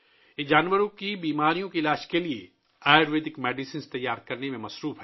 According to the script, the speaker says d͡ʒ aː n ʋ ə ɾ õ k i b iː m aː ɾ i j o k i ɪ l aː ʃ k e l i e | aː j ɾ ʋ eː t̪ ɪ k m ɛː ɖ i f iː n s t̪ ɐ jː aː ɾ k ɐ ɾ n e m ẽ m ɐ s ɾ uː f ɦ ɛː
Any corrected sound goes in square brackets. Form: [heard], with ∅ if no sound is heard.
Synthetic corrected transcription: d͡ʒ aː n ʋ ə ɾ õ k i b iː m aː ɾ i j [õ] k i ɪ l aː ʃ k e l i e | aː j ɾ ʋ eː [d̪] ɪ k m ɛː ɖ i [s] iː n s t̪ ɐ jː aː ɾ k ɐ ɾ n e m ẽ m ɐ s ɾ uː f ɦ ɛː

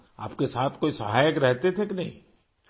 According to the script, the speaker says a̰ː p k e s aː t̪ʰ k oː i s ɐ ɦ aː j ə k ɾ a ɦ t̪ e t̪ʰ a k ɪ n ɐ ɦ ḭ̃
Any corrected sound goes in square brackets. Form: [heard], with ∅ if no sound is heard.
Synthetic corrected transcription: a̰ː p k e s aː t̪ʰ k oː i s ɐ ɦ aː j ə k ɾ [ɛ] ɦ t̪ e t̪ʰ [e] k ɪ n ɐ ɦ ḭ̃

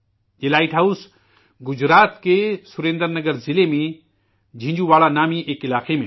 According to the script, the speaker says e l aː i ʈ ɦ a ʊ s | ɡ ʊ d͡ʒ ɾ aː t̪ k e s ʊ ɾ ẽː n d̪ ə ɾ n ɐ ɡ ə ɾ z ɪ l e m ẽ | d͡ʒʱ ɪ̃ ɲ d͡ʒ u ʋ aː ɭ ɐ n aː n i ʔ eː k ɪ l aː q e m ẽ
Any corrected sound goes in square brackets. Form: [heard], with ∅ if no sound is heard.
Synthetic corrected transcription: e l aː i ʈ ɦ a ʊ s | ɡ ʊ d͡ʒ ɾ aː t̪ k e s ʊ ɾ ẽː n d̪ ə ɾ n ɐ ɡ ə ɾ z ɪ l e m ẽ | d͡ʒʱ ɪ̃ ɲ d͡ʒ u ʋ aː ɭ [a] n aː [m] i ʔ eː k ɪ l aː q e m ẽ

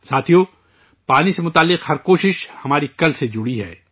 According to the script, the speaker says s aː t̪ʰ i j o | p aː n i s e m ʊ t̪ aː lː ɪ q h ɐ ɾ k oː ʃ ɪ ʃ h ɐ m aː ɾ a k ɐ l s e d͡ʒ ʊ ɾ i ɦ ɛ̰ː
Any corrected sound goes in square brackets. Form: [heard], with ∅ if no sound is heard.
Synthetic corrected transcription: s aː t̪ʰ i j o | p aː n i s e m ʊ t̪ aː lː ɪ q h ɐ ɾ k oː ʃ ɪ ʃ h ɐ m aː ɾ [i] k ɐ l s e d͡ʒ ʊ [ɽ] i ɦ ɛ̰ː

